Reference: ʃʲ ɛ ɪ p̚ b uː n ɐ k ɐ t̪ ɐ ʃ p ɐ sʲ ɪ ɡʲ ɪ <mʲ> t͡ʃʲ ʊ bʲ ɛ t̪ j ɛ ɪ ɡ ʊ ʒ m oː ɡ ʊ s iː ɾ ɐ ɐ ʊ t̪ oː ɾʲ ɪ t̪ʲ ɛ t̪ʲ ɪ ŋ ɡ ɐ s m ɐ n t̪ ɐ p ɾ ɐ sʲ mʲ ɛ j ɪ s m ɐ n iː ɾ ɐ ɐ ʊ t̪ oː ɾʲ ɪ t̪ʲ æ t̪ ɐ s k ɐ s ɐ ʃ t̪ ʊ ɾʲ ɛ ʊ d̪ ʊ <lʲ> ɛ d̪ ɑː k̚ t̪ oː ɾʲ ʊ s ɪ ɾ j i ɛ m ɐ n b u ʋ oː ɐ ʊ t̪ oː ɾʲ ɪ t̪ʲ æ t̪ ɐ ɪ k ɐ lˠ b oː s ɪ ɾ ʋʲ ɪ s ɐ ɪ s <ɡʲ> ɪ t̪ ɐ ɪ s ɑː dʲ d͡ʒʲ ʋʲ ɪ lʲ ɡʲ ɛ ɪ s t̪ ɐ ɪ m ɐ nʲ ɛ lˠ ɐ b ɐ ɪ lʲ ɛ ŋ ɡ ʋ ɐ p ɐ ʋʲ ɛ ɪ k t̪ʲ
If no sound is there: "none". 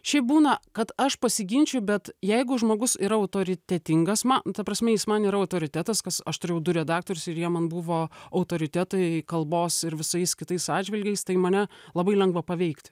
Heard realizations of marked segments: nʲ, ɾʲ, kʲ

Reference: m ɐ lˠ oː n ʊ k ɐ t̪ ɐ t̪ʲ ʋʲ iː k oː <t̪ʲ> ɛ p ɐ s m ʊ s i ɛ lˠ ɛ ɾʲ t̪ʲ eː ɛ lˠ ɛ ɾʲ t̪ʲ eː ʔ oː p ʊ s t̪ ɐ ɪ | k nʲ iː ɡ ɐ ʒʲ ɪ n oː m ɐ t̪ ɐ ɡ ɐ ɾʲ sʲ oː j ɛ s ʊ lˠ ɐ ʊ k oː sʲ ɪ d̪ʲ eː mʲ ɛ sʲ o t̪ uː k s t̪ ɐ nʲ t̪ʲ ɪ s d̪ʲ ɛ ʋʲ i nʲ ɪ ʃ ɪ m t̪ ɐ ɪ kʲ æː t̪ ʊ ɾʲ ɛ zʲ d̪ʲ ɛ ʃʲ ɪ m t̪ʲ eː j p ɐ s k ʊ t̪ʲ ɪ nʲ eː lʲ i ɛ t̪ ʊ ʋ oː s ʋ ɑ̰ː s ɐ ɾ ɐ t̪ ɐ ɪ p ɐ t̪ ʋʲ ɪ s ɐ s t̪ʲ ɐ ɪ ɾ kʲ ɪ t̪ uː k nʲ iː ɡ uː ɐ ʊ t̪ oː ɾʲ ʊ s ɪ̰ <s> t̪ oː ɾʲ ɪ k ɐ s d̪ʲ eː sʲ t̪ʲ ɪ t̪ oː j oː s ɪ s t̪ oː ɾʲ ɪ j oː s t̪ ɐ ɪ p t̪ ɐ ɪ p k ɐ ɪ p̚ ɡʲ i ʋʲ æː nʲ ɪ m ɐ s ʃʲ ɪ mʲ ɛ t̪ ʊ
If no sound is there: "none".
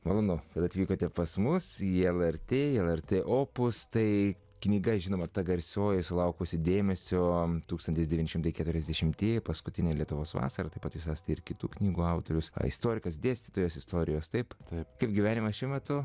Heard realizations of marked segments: t̪ʲ, s

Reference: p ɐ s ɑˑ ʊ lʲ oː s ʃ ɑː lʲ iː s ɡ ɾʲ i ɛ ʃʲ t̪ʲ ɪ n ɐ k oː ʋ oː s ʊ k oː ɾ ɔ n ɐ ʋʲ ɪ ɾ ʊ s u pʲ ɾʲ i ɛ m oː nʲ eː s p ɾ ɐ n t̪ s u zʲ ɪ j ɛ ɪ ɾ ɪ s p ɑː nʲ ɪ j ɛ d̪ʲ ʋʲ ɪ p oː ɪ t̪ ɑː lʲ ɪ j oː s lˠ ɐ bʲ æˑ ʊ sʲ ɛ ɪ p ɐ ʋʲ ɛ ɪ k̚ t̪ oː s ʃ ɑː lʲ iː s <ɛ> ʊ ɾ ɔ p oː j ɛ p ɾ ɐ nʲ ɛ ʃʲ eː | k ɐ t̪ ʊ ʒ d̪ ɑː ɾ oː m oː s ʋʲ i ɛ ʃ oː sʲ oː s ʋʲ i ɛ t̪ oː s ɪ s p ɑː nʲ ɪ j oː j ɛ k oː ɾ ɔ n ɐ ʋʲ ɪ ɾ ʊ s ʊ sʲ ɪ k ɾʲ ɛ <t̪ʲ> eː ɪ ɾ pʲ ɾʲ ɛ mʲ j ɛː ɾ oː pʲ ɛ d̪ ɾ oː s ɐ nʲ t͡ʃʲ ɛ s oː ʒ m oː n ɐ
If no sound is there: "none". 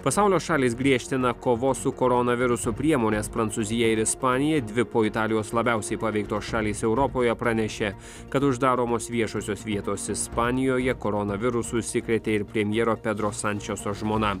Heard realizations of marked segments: ɛ, t̪ʲ

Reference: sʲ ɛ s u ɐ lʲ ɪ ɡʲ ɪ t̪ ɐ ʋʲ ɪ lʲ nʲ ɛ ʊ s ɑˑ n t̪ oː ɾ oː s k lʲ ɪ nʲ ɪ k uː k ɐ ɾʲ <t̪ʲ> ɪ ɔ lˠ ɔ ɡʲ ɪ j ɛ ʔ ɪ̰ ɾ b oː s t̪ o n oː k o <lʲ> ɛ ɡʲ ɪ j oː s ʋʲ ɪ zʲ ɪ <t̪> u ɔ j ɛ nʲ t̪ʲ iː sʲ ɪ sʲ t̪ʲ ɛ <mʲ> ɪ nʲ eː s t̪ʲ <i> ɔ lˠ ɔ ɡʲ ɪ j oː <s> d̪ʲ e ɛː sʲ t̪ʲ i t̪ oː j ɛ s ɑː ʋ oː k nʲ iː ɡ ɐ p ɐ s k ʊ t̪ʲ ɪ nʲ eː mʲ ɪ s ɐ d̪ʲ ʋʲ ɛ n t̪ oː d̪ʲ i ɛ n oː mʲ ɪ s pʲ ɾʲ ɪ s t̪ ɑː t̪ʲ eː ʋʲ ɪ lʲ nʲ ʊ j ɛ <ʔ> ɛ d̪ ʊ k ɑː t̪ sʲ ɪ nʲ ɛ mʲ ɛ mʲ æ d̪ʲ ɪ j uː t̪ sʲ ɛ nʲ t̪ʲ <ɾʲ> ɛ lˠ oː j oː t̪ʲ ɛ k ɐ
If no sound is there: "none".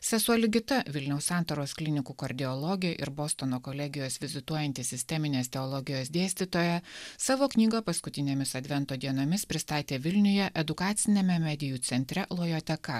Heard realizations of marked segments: d̪ʲ, lʲ, t̪, mʲ, ɛ, s, ʔ, ɾʲ

